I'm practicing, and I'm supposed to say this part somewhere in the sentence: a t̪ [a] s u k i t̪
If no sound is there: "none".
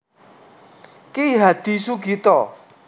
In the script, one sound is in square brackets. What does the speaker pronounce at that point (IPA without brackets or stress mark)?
i